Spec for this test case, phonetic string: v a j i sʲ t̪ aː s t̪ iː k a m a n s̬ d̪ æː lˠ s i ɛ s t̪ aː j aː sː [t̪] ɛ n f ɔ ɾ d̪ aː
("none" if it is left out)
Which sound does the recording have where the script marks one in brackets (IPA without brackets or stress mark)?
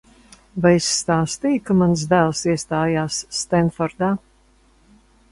t̪